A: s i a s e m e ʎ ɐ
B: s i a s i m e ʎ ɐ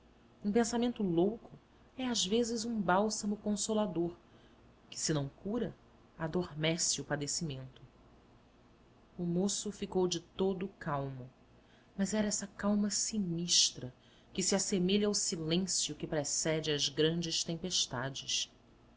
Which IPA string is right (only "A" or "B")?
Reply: A